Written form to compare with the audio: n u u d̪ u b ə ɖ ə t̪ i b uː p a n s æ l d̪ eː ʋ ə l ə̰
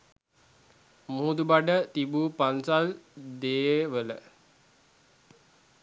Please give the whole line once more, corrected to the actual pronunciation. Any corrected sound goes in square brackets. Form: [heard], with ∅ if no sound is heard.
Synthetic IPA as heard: [m] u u d̪ u b [a] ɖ ə t̪ i b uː p a n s [a] l d̪ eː ʋ ə l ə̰